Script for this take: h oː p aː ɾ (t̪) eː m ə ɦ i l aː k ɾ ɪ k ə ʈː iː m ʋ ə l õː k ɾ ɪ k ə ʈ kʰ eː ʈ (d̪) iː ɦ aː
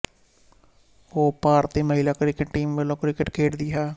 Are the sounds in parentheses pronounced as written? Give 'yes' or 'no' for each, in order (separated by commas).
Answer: yes, yes